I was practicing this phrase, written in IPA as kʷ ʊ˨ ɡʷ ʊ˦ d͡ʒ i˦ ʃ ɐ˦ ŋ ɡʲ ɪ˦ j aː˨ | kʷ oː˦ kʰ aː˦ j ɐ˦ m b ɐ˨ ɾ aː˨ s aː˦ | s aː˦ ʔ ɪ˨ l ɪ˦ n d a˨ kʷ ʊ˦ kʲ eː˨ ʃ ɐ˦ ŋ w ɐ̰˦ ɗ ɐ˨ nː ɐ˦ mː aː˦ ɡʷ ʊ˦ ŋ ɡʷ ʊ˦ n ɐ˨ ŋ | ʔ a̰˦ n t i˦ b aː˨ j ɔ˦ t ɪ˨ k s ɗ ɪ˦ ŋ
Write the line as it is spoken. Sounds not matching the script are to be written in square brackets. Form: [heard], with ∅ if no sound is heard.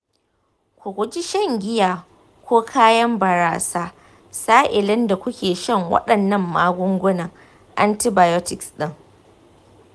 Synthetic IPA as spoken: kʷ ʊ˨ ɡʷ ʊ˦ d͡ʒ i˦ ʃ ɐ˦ ŋ ɡʲ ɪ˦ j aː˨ | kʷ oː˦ kʰ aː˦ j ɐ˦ m b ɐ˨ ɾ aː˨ s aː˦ | s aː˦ ʔ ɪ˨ l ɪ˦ n d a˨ kʷ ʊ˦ kʲ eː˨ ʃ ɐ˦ ŋ w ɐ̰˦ ɗ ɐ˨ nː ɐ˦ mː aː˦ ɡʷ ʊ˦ ŋ ɡʷ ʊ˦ n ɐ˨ ŋ | ʔ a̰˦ n t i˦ b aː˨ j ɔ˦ t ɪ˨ k s ɗ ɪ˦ ŋ